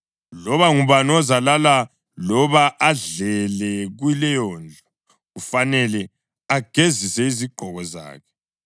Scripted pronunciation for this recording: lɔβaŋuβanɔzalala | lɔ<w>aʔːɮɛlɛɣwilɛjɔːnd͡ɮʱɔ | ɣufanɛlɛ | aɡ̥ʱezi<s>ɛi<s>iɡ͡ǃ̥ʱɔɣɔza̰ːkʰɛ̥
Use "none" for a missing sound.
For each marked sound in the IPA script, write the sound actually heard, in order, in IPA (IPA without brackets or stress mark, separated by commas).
β, s, z